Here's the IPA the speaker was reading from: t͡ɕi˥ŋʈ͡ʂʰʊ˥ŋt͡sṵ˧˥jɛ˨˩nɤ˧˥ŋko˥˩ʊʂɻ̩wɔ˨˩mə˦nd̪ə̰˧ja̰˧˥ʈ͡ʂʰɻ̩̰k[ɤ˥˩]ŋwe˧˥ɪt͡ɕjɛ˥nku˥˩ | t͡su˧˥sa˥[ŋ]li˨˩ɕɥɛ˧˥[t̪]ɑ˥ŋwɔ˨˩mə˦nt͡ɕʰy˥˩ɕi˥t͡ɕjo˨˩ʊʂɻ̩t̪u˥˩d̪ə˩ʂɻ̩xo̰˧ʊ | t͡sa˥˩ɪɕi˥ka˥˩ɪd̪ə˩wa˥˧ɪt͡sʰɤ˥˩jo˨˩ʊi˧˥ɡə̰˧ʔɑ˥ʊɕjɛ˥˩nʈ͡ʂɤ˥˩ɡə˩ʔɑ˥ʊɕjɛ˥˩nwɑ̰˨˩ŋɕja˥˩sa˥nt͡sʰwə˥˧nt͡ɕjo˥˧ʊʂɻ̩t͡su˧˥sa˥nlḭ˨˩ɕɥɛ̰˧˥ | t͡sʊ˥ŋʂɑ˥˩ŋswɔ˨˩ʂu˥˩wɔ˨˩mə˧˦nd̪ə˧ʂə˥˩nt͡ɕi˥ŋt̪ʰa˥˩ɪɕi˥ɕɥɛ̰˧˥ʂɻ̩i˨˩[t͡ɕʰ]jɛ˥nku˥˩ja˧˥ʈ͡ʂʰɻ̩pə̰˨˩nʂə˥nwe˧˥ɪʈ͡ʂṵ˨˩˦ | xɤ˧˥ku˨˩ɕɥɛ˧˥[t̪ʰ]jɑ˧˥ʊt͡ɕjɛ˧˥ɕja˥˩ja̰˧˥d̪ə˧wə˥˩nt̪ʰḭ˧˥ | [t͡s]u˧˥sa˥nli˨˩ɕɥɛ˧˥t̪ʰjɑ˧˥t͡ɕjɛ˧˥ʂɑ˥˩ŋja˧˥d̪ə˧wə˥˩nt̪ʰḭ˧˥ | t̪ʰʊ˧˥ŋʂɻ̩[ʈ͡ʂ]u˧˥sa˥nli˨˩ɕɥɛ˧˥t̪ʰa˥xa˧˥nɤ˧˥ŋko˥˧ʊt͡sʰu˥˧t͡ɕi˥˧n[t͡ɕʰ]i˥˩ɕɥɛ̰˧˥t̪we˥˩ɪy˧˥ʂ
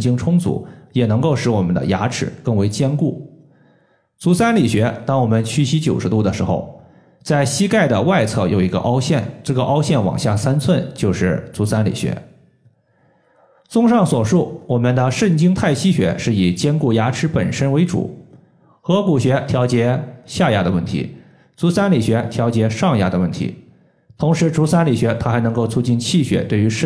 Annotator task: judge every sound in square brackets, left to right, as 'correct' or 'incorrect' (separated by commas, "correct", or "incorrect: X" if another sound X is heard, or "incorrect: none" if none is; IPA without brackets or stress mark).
correct, incorrect: n, correct, incorrect: t͡ɕ, correct, correct, correct, correct